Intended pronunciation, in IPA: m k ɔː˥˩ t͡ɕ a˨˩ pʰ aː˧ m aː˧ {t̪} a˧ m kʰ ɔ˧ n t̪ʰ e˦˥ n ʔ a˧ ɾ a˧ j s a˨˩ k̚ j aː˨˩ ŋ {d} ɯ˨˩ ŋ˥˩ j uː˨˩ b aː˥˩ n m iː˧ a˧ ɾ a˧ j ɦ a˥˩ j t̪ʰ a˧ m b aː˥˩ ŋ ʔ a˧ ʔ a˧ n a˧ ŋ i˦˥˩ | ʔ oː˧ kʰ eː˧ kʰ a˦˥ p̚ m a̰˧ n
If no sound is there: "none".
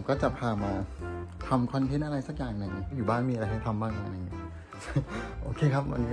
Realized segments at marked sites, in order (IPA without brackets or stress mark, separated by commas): t̪ʰ, n